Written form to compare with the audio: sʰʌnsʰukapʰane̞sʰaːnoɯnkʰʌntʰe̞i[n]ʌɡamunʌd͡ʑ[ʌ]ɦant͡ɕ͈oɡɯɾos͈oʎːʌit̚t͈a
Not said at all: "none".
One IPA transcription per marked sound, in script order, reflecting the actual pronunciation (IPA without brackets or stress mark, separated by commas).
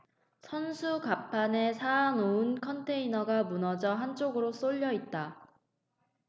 n, ʌ